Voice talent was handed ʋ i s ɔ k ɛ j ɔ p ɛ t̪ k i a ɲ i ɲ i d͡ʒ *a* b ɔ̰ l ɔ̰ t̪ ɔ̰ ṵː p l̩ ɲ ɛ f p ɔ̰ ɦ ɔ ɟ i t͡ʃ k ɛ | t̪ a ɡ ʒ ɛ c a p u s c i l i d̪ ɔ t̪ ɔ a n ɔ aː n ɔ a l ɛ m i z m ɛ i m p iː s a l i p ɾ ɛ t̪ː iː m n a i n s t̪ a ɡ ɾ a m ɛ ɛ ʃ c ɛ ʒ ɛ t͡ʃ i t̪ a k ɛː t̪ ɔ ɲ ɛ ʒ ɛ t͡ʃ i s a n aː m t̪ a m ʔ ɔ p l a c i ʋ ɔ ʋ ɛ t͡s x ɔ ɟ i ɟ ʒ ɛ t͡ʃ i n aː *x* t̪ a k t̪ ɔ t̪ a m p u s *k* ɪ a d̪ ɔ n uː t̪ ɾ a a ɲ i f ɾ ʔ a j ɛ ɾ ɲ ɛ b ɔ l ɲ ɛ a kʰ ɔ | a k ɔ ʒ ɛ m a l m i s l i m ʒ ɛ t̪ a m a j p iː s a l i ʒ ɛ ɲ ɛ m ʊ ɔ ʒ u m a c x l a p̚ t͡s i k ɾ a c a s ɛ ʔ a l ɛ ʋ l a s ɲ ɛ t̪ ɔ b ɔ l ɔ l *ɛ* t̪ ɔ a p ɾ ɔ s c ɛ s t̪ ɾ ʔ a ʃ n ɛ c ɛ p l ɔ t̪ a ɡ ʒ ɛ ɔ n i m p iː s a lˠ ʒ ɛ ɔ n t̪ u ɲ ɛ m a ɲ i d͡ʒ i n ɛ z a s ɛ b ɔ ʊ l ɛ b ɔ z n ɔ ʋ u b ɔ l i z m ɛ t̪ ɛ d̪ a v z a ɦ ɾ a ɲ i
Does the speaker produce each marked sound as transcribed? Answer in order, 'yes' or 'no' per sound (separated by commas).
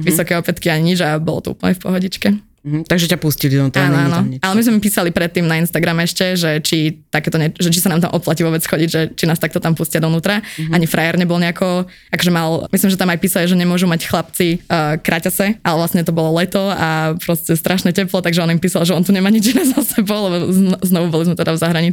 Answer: yes, no, no, yes